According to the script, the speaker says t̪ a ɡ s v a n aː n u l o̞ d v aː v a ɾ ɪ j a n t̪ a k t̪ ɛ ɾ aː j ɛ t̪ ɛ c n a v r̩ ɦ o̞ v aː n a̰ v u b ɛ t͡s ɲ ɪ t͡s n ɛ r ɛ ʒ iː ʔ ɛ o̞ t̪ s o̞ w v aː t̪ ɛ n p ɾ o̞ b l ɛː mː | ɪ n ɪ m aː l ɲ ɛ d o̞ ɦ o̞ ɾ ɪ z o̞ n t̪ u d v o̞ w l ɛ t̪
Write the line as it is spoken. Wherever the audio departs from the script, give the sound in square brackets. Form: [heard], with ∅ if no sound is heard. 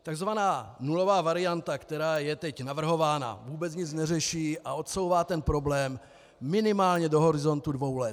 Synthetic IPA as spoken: t̪ a ɡ [z] v a n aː n u l o̞ [∅] v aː v a ɾ ɪ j a n t̪ a k t̪ ɛ ɾ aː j ɛ t̪ ɛ c n a v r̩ ɦ o̞ v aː n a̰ v [uː] b ɛ t͡s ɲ ɪ t͡s n ɛ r ɛ [ʃ] iː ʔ [a] o̞ t̪ s o̞ w v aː t̪ ɛ n p ɾ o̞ b l ɛː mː | ɪ n ɪ m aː l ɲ ɛ d o̞ ɦ o̞ ɾ ɪ z o̞ n t̪ u d v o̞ w l ɛ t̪